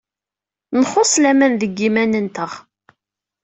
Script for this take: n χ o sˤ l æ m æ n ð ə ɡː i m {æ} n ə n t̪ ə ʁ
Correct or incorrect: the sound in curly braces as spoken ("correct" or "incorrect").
correct